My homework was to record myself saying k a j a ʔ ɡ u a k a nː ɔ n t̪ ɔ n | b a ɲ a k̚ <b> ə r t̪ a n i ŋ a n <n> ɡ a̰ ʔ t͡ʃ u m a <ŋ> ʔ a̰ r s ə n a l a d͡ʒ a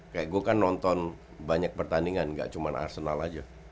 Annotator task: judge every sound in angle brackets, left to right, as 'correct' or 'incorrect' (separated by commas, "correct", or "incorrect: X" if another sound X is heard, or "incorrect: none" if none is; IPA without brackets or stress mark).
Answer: incorrect: p, incorrect: ŋ, incorrect: n